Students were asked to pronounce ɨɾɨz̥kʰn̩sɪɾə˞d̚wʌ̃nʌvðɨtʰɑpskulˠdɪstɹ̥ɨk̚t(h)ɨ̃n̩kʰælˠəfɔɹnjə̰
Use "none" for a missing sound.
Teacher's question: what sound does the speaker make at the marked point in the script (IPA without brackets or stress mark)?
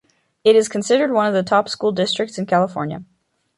s